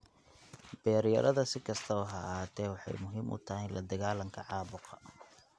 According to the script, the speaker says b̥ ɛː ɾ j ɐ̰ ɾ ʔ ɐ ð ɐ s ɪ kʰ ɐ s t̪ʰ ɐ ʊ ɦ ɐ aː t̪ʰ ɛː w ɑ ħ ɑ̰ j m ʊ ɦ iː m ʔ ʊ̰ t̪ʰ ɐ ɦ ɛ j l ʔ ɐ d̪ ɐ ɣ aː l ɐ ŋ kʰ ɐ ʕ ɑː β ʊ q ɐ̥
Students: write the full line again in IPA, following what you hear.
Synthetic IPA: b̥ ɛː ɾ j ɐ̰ ɾ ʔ ɐ ð ɐ s ɪ kʰ ɐ s t̪ʰ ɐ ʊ ɦ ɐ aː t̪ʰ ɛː w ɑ ħ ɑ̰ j m ʊ ɦ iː m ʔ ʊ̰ t̪ʰ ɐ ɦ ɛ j l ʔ ɐ d̪ ɐ ɣ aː l ɐ ŋ kʰ ɐ ʕ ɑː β ʊ q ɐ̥